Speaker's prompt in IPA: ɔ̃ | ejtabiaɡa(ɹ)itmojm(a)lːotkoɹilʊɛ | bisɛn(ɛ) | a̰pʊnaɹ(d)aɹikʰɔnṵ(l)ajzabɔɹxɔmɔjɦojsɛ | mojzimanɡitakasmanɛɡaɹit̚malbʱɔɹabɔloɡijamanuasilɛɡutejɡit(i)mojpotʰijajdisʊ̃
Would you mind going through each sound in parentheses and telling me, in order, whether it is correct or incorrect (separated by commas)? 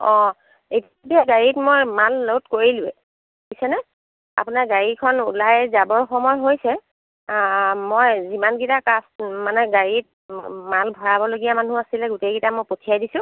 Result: correct, correct, correct, incorrect, correct, incorrect